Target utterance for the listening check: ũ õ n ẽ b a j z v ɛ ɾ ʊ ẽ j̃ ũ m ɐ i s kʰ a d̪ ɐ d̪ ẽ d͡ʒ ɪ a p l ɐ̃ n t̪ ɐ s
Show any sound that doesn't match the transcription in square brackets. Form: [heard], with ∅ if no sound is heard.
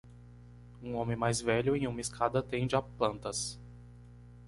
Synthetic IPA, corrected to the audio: ũ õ [m] ẽ [m] a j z v ɛ [ʎ] ʊ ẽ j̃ ũ m ɐ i s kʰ a d̪ ɐ [t̪] ẽ d͡ʒ ɪ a p l ɐ̃ n t̪ ɐ s